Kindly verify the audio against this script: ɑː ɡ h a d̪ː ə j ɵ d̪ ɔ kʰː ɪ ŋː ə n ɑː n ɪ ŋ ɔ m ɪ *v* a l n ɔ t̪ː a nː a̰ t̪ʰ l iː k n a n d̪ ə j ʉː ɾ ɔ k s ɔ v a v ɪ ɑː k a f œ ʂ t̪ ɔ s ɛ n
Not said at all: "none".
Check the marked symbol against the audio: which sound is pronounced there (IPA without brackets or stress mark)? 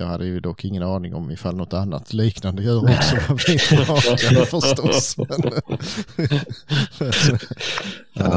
f